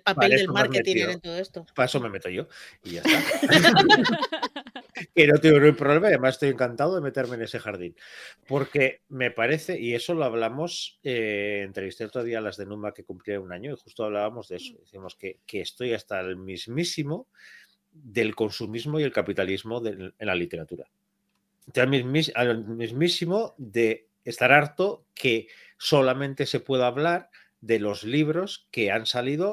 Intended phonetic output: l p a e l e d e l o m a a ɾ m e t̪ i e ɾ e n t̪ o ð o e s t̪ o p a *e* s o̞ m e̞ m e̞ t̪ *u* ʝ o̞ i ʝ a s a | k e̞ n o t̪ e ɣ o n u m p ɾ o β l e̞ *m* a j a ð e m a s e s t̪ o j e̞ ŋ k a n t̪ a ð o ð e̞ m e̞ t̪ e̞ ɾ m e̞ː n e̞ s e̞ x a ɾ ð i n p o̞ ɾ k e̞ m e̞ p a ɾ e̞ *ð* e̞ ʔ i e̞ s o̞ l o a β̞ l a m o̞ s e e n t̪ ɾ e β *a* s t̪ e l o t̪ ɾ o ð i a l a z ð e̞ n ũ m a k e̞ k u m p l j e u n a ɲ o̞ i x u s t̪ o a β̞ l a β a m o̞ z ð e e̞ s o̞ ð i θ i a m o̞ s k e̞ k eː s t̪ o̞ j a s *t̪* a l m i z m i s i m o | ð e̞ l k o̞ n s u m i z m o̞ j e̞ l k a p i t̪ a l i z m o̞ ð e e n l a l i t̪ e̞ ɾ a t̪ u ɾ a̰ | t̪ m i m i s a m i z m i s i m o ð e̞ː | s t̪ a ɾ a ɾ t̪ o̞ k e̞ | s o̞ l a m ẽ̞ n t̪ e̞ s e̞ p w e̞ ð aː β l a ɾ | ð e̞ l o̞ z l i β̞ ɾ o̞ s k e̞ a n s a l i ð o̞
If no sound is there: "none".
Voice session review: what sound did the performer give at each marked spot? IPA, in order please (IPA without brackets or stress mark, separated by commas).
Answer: e, o, m, θ, i, t̪